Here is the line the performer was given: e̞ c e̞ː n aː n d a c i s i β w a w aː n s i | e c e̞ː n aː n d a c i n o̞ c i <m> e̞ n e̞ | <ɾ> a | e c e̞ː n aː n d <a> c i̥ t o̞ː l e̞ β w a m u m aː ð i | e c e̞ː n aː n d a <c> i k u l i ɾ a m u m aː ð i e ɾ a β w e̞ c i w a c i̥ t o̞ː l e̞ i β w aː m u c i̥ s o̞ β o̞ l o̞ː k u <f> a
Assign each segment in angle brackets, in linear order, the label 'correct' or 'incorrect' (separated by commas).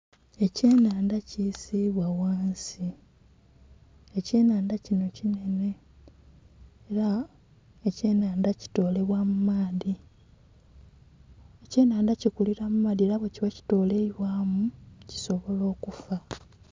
incorrect, correct, correct, correct, correct